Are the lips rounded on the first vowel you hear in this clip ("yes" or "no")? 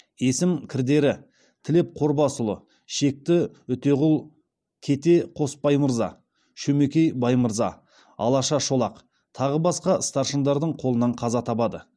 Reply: no